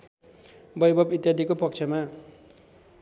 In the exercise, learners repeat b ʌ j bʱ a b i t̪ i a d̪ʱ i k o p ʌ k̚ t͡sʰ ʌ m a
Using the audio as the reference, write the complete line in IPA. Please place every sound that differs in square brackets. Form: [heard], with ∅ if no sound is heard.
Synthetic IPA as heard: b ʌ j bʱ [ʌ] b i t̪ [j] a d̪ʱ i k o p ʌ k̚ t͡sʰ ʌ m a